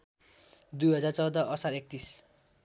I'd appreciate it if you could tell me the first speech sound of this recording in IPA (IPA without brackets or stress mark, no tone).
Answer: d̪